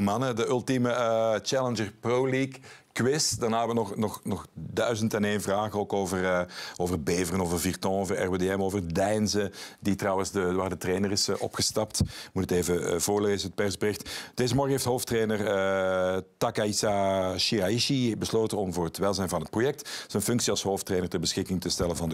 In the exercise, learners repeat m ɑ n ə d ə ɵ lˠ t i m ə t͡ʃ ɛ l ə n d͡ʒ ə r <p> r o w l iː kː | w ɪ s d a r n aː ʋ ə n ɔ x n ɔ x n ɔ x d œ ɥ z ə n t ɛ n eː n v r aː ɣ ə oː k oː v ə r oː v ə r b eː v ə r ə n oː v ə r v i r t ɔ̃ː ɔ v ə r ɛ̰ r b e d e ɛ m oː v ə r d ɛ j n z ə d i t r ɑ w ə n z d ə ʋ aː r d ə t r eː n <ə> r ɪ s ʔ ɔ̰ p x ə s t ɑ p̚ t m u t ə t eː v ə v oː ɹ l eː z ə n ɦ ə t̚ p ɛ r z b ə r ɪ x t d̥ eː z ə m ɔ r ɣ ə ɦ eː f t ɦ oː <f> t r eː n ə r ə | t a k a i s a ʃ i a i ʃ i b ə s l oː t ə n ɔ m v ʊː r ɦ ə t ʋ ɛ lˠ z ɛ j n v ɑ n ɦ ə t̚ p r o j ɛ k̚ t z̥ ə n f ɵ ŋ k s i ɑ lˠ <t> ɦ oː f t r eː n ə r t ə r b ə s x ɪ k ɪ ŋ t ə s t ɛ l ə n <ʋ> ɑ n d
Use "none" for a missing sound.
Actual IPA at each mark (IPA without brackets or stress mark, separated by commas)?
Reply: p, ə, f, s, v